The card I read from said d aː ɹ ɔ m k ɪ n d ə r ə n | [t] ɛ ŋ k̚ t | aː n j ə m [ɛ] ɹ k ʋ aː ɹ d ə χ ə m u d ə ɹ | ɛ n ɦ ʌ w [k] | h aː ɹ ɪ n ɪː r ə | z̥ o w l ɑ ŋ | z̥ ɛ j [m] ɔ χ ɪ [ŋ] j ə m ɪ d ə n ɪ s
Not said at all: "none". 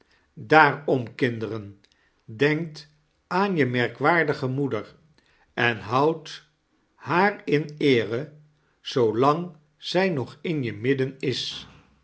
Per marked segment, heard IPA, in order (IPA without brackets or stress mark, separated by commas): d, ɛ, t, n, n